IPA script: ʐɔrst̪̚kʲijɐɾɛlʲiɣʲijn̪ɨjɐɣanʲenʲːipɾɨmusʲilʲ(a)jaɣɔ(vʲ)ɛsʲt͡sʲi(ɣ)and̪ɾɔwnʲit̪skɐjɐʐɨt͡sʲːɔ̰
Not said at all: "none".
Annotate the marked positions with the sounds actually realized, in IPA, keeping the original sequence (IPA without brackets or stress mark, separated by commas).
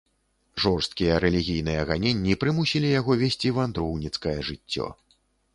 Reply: i, vʲ, v